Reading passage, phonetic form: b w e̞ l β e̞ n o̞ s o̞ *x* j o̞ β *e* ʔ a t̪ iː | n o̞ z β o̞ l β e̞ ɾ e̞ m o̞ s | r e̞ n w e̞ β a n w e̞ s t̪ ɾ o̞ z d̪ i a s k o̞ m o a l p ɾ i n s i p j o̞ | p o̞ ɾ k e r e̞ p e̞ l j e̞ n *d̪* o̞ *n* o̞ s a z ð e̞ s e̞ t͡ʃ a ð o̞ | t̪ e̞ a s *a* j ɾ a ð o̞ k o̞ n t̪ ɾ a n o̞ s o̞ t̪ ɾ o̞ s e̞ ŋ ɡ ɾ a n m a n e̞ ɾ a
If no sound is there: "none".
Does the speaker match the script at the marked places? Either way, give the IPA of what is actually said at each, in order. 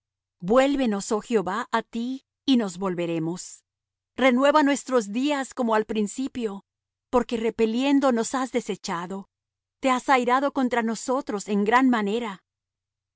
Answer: x, a, d̪, n, a

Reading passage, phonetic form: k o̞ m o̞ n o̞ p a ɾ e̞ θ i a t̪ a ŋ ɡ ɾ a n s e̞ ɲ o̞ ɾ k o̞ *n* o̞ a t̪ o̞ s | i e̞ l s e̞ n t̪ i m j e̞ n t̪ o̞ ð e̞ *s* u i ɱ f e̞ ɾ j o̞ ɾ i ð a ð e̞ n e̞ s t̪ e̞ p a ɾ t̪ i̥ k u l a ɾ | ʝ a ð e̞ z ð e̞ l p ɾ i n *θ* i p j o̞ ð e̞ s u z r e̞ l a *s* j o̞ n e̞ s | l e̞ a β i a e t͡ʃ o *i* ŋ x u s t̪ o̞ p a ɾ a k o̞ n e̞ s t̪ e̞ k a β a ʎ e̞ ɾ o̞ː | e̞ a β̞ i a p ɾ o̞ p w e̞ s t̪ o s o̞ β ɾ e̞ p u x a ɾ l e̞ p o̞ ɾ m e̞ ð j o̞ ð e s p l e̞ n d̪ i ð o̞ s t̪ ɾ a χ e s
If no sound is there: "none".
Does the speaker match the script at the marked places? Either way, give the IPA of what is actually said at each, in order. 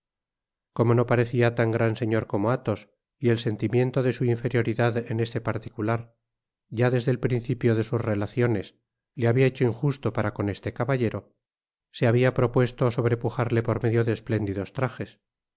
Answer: m, s, θ, θ, i

